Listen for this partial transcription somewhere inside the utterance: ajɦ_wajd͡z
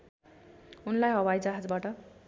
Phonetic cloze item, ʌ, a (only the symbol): ʌ